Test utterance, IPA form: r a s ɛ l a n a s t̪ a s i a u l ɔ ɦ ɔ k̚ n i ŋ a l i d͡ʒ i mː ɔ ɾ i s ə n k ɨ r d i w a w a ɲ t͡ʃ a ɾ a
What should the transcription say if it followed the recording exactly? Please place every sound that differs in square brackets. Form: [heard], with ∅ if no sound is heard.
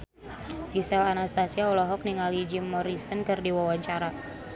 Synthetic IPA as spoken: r [i] s ɛ l a n a s t̪ a s i a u l ɔ ɦ ɔ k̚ n i ŋ a l i d͡ʒ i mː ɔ ɾ i s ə n k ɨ r d i w a w a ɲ t͡ʃ a ɾ a